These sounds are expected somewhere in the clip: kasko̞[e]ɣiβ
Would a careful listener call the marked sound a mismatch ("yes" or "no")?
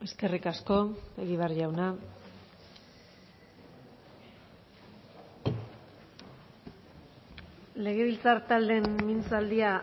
no